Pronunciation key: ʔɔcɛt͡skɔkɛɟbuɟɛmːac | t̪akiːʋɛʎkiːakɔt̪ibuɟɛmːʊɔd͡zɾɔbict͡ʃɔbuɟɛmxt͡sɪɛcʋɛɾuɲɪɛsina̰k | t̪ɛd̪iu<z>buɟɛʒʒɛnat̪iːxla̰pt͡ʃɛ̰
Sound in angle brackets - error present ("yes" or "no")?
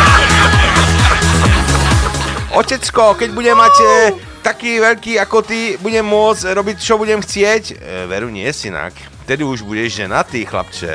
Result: yes